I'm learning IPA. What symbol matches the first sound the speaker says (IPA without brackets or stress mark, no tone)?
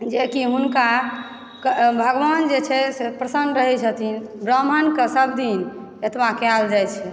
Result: d͡ʒ